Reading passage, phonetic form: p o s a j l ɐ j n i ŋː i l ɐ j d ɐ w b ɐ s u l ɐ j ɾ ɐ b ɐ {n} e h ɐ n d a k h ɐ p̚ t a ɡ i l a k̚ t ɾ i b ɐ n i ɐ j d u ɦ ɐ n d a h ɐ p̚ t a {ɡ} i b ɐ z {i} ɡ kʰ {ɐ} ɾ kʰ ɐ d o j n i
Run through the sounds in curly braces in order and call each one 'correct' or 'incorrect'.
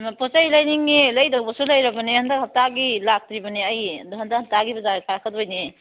correct, correct, incorrect, incorrect

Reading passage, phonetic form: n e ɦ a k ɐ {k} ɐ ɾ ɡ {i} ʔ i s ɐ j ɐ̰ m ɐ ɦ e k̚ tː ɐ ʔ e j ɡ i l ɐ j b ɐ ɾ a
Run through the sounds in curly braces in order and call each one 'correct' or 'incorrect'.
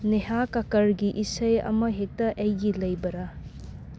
correct, correct

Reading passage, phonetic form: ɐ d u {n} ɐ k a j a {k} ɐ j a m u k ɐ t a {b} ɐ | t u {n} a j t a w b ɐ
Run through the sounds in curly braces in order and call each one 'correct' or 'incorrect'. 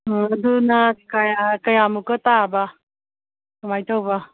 correct, correct, correct, incorrect

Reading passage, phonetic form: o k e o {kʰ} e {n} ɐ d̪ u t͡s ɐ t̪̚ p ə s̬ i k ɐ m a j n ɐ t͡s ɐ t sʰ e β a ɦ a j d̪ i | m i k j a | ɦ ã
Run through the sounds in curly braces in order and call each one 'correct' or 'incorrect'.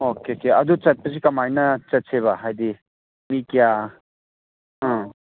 incorrect, incorrect

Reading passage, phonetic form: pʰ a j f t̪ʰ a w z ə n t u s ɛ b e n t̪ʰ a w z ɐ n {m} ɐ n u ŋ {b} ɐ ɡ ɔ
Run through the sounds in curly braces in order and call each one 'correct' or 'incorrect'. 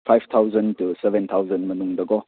correct, incorrect

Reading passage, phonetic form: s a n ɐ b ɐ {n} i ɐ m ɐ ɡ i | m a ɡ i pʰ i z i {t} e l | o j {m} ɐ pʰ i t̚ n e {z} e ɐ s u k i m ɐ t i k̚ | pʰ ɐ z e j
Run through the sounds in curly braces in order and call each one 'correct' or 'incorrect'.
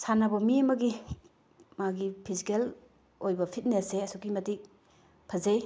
incorrect, incorrect, incorrect, incorrect

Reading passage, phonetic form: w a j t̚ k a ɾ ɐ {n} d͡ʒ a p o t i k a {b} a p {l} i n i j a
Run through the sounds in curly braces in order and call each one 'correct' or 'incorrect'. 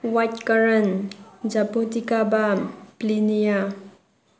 correct, correct, correct

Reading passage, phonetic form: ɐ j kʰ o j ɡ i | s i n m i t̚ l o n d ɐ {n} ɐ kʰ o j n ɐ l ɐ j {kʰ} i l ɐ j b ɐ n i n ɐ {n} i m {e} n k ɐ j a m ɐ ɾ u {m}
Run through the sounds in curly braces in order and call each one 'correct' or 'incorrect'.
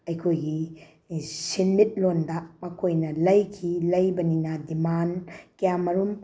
incorrect, correct, incorrect, incorrect, correct

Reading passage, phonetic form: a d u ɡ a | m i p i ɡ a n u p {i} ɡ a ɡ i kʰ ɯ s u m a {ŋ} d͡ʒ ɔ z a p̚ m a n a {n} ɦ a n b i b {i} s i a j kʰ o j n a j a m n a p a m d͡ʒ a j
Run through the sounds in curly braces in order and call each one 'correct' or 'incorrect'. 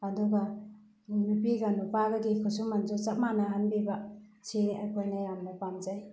incorrect, incorrect, incorrect, incorrect

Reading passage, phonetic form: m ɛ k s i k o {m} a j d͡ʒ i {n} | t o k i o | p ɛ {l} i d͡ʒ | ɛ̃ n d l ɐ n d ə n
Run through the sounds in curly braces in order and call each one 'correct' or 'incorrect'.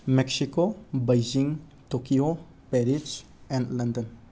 incorrect, incorrect, incorrect

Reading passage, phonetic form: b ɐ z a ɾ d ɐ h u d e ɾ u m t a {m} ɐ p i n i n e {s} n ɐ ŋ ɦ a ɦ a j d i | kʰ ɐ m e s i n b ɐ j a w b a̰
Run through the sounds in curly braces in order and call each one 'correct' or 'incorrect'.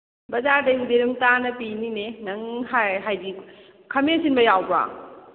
incorrect, incorrect

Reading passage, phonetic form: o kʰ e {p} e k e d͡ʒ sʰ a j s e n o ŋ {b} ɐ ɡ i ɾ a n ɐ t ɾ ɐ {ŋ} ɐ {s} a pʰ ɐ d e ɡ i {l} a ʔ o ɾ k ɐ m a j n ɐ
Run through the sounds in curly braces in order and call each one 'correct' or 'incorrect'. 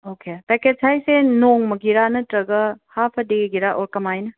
correct, incorrect, incorrect, incorrect, incorrect

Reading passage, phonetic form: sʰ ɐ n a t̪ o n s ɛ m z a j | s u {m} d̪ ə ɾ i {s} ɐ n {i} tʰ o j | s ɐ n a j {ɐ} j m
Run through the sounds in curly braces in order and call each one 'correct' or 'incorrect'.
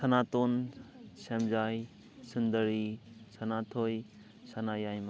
incorrect, correct, incorrect, incorrect

